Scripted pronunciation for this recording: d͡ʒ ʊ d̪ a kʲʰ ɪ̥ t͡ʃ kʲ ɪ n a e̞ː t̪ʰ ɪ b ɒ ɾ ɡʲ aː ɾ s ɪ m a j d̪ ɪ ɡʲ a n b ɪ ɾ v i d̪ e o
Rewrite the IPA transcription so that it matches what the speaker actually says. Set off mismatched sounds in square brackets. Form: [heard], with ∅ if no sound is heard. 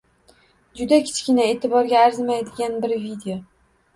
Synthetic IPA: d͡ʒ ʊ d̪ a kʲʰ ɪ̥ t͡ʃ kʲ ɪ n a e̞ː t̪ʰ ɪ b ɒ ɾ ɡʲ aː ɾ [z] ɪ m a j d̪ ɪ ɡʲ a n b ɪ ɾ v i d̪ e o